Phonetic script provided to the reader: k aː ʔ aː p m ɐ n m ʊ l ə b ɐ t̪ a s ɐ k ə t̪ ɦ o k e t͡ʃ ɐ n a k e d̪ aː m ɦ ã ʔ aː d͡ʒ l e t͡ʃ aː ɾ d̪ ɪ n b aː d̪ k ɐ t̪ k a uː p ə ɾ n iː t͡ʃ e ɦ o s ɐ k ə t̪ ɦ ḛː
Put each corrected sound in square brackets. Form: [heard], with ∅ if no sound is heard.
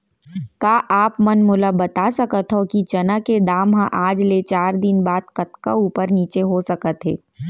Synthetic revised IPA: k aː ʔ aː p m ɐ n m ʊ l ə b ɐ t̪ a s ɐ k ə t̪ ɦ o k [i] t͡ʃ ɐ n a k e d̪ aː m ɦ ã ʔ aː d͡ʒ l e t͡ʃ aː ɾ d̪ ɪ n b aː d̪ k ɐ t̪ k a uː p ə ɾ n iː t͡ʃ e ɦ o s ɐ k ə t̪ ɦ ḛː